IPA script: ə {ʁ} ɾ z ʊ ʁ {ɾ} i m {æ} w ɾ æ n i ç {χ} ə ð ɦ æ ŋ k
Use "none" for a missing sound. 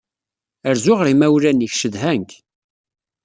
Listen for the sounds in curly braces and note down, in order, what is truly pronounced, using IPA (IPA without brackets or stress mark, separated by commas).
none, ɾ, æ, ʃ